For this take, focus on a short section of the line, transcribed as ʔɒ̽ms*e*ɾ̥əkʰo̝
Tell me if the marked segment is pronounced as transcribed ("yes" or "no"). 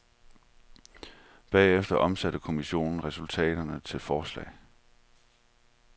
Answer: no